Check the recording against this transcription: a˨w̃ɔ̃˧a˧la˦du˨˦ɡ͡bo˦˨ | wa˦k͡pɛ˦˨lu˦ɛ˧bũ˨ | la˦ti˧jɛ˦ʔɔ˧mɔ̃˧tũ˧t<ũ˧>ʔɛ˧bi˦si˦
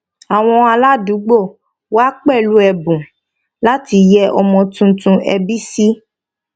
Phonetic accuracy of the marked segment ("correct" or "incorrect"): correct